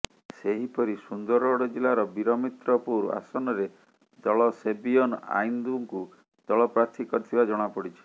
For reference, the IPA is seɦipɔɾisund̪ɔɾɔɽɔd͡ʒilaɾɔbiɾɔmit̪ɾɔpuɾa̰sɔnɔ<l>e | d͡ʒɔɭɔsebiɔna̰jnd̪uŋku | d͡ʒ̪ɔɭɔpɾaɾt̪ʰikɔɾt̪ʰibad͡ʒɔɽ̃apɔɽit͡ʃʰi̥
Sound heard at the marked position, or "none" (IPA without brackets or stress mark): ɾ